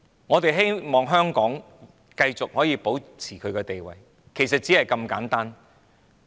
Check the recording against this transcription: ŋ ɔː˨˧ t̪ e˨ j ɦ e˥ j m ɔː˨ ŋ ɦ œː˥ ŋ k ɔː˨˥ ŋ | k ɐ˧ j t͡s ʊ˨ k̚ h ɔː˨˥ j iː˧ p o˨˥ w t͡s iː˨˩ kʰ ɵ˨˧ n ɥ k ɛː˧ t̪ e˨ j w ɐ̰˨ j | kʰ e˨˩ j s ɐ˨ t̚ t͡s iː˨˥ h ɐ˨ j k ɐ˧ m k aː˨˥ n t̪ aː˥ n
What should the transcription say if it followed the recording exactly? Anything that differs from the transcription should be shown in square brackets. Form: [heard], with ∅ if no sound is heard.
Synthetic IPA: ŋ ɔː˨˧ t̪ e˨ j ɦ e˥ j m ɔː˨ ŋ ɦ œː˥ ŋ k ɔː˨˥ ŋ | k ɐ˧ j t͡s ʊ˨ k̚ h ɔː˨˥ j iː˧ p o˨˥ w [t͡sʰ] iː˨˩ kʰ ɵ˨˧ [∅] ɥ k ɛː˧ t̪ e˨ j w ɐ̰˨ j | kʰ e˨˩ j s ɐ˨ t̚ t͡s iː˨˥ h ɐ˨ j k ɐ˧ m k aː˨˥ n t̪ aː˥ n